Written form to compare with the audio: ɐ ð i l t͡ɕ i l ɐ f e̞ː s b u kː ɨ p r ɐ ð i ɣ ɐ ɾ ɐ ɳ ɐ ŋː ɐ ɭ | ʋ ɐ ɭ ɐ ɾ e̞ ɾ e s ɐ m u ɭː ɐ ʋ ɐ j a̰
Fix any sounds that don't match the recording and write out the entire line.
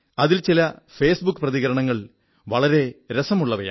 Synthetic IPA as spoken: ɐ ð i l t͡ɕ i l ɐ f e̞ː s b u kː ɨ p r ɐ ð i ɣ ɐ ɾ ɐ ɳ ɐ ŋː ɐ ɭ | ʋ ɐ ɭ ɐ ɾ e̞ ɾ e s ɐ m u ɭː ɐ ʋ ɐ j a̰